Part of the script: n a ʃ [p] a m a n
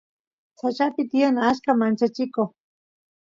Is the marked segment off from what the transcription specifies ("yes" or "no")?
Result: yes